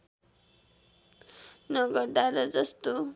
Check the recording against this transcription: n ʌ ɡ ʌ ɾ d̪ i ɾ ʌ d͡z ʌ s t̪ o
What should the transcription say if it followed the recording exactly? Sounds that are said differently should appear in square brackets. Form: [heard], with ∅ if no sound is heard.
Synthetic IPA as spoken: n ʌ ɡ ʌ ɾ d̪ [a] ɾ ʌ d͡z ʌ s t̪ o